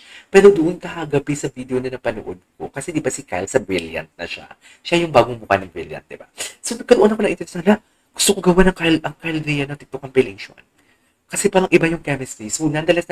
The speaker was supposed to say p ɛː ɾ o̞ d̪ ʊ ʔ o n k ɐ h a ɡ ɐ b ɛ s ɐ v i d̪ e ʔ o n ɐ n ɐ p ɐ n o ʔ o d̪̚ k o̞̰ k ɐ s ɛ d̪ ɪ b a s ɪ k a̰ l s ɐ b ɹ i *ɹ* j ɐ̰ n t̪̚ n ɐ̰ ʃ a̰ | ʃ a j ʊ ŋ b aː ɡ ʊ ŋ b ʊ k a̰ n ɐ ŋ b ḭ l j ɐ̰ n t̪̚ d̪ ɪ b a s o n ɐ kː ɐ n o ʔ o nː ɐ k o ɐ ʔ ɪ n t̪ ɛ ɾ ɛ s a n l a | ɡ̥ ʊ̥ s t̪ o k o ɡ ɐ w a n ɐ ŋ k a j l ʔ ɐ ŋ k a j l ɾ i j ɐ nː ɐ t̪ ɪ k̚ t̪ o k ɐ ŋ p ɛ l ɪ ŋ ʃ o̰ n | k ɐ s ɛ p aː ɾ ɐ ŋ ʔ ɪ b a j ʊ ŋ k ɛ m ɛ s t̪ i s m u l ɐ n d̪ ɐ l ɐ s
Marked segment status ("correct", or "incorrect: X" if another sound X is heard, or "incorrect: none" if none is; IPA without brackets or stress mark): incorrect: l